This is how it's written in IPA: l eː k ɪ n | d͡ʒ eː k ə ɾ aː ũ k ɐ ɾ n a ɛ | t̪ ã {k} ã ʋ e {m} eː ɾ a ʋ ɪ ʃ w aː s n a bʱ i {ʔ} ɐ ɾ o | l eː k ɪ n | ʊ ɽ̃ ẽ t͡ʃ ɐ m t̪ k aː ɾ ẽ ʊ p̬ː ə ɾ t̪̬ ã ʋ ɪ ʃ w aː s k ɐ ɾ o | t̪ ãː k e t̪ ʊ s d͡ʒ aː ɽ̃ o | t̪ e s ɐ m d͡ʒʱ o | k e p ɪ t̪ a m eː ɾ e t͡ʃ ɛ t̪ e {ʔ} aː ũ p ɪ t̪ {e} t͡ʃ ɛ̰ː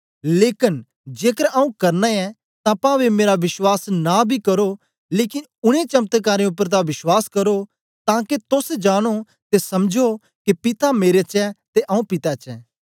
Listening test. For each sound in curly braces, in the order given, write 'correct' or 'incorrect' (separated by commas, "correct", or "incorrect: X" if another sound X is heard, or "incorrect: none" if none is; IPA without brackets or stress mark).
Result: incorrect: p, correct, incorrect: k, correct, incorrect: a